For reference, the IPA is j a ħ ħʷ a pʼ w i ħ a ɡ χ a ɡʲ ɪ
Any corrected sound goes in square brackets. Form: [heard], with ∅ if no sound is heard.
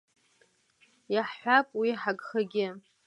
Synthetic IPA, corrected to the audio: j a ħ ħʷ a pʼ w i ħ a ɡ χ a ɡʲ ɪ